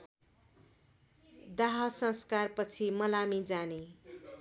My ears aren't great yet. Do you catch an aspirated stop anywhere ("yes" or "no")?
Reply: yes